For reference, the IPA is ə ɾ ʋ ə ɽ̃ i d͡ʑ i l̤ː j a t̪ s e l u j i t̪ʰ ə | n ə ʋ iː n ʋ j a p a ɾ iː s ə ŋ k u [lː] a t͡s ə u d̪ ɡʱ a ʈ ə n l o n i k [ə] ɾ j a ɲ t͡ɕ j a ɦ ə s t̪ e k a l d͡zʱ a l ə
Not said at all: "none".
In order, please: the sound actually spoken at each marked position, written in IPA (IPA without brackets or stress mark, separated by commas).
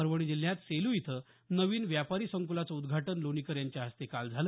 l, ə